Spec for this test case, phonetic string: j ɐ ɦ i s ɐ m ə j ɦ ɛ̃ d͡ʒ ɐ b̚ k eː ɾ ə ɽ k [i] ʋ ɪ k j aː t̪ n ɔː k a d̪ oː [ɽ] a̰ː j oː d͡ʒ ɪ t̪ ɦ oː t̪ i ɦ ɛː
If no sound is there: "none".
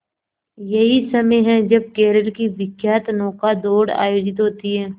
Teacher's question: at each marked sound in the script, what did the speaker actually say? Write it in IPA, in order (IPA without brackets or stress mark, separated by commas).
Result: i, ɽ